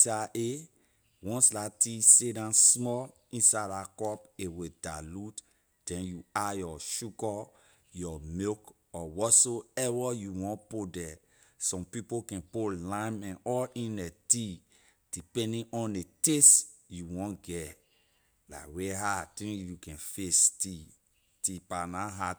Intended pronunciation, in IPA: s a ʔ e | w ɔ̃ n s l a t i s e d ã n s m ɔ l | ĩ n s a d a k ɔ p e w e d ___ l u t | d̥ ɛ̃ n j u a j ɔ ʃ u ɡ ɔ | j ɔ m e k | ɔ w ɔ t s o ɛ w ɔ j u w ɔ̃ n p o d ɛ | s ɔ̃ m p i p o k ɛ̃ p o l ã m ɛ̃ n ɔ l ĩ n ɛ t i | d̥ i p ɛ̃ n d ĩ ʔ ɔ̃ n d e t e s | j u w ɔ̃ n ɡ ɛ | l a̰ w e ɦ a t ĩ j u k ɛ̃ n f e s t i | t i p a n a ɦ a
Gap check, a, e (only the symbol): a